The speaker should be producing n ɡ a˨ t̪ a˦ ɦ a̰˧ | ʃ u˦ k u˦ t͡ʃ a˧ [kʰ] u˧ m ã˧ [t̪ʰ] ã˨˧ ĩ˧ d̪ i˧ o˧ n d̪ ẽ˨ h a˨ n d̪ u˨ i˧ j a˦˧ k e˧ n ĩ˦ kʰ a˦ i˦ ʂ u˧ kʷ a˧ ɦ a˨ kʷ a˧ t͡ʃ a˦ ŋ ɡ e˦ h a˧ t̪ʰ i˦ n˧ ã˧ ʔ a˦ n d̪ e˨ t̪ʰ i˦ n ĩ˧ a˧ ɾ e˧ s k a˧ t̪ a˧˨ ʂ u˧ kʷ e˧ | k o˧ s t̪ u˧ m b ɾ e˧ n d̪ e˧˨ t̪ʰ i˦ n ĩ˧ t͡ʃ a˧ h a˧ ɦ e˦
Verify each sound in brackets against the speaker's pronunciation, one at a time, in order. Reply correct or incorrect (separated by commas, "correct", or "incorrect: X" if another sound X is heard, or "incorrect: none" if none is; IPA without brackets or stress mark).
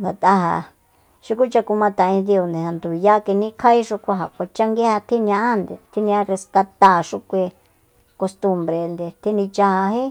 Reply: incorrect: k, incorrect: t̪